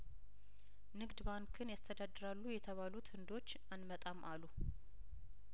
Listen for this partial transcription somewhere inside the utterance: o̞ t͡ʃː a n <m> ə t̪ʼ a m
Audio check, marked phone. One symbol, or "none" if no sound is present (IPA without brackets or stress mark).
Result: m